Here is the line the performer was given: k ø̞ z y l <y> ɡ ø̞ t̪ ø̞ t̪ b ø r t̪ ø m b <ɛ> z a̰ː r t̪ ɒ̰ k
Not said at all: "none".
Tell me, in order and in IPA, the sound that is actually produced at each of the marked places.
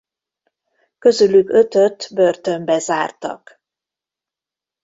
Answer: y, ɛ

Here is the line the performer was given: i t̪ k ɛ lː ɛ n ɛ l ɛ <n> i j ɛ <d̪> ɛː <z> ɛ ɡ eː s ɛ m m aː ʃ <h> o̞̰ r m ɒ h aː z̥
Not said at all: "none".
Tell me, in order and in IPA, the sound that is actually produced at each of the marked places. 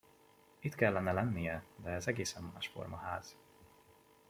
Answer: nː, d̪, z, f

